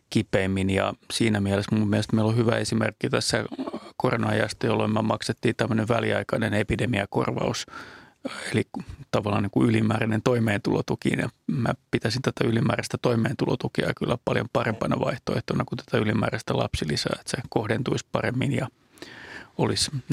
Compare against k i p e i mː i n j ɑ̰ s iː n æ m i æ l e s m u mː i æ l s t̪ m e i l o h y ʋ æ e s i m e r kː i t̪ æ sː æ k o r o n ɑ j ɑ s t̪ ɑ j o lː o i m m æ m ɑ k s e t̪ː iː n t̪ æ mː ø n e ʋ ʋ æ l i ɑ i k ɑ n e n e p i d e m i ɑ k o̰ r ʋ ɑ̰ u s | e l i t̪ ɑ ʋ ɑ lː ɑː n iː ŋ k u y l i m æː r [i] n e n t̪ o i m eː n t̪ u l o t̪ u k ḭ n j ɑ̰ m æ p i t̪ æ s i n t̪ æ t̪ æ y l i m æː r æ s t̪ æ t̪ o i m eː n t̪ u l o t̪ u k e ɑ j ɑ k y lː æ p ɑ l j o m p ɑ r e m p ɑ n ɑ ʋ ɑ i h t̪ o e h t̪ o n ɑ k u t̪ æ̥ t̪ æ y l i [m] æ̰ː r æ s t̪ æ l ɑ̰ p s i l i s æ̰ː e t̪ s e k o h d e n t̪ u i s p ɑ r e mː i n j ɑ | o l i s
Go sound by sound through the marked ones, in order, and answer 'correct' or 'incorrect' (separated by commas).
incorrect, correct